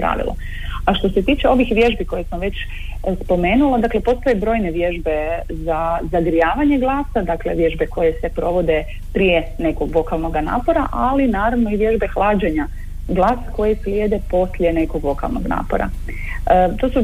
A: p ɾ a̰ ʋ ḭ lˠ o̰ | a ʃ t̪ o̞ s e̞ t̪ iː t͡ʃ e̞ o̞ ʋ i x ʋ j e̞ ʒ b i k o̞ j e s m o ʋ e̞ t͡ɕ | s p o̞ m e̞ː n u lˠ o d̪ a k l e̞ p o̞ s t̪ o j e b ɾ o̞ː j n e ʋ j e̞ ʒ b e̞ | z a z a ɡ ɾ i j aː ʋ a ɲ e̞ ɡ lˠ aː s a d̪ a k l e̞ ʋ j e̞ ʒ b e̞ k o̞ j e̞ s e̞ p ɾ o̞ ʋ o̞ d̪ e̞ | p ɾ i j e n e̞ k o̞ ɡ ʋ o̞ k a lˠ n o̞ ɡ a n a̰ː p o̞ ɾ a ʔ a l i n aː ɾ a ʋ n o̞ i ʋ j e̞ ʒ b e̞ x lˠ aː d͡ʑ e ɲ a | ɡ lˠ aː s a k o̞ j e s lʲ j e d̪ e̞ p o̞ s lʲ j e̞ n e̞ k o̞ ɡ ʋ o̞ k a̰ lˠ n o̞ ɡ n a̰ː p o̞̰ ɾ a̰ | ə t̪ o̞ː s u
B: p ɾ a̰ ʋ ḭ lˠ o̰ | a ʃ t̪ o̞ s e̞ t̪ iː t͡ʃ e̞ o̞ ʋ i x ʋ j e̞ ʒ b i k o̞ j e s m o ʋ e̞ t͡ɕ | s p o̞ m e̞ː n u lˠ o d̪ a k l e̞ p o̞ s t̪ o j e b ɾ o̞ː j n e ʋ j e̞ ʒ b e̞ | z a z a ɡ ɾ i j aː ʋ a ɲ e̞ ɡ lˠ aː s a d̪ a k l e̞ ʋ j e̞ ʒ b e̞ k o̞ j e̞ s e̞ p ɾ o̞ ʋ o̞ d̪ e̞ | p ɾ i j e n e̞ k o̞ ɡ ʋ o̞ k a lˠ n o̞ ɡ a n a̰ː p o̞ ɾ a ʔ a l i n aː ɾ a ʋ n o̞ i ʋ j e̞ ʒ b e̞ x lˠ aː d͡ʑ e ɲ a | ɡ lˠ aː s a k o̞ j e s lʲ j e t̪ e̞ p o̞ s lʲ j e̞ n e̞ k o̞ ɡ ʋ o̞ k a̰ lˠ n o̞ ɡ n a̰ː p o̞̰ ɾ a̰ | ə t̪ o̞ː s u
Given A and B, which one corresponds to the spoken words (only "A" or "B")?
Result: A